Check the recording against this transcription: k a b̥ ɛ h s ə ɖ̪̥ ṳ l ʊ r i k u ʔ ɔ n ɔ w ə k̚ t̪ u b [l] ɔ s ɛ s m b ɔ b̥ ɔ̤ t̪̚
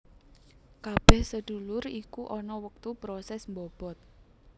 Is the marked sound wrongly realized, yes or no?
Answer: yes